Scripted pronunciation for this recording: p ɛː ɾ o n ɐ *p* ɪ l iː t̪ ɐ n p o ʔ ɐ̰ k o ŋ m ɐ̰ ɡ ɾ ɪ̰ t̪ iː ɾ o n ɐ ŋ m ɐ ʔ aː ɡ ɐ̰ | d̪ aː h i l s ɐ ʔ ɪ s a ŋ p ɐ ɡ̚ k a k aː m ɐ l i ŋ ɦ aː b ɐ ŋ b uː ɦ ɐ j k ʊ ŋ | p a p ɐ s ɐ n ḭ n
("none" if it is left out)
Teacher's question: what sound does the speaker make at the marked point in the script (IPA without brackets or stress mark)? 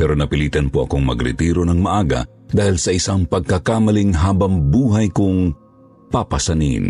p